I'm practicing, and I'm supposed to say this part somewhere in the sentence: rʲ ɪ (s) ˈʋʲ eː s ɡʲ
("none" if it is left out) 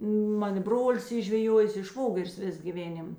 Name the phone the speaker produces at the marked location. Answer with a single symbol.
s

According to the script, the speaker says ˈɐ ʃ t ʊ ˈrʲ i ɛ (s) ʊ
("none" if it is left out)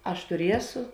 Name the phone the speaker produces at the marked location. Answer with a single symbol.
s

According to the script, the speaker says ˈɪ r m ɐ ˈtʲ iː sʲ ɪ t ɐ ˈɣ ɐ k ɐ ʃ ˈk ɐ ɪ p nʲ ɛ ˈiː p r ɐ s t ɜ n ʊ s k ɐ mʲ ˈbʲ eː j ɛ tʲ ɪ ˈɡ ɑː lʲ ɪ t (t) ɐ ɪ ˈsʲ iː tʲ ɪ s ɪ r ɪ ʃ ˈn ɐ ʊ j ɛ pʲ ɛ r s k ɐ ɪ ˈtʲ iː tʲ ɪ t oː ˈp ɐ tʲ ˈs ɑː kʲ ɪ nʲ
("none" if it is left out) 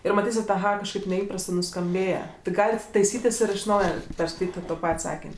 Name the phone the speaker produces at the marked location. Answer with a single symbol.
t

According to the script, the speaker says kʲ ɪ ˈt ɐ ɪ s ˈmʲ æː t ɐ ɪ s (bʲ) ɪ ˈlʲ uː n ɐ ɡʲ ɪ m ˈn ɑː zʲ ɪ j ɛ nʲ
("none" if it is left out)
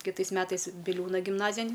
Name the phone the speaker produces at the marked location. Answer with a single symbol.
bʲ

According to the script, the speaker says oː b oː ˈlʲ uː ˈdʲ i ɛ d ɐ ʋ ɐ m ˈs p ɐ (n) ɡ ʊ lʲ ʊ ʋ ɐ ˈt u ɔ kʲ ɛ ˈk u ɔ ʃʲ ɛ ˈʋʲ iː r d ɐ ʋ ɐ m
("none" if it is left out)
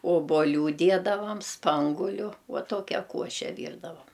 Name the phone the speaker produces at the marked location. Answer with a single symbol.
ŋ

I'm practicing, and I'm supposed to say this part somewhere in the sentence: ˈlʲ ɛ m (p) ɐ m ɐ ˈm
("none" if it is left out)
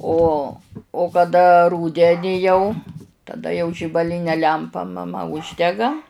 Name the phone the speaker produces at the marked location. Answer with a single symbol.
p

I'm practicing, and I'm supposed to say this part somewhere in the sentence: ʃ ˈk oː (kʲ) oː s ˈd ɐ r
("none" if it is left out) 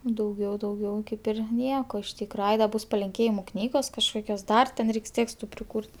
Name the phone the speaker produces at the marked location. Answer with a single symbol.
kʲ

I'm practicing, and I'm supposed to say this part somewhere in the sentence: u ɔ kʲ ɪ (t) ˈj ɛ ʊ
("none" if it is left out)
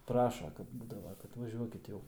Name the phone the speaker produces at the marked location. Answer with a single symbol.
t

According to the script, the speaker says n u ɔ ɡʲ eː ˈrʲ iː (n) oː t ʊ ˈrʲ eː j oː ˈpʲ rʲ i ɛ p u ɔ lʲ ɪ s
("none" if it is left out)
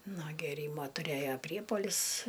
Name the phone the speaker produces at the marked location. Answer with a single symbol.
m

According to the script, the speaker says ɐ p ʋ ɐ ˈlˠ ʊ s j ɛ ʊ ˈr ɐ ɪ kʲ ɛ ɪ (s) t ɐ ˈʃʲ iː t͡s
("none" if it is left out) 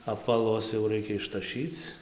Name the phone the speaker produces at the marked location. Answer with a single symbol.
ʃ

